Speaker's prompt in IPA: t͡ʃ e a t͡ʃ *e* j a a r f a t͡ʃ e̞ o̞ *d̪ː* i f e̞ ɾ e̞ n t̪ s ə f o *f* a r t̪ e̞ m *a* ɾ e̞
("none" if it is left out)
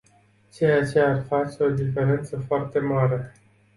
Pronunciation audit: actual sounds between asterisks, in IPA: e, d̪, none, a

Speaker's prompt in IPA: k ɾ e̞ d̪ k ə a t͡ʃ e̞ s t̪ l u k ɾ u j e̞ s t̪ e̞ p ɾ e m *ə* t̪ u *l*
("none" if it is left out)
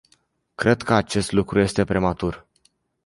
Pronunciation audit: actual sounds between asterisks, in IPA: a, r

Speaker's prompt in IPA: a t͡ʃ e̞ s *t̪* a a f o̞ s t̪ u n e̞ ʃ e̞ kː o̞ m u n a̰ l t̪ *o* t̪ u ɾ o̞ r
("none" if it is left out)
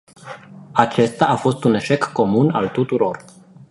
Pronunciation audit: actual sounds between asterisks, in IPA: t̪, u

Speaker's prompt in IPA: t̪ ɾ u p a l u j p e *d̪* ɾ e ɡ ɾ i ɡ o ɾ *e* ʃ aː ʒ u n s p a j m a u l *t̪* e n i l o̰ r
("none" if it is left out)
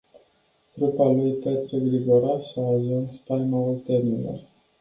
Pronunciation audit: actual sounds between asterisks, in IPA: t̪, a, t̪

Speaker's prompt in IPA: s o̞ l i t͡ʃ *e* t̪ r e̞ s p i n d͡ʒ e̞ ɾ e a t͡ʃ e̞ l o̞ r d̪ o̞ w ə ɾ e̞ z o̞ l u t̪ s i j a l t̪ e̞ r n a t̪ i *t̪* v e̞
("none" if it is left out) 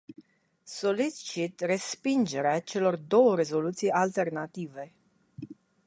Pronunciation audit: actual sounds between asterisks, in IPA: i, none

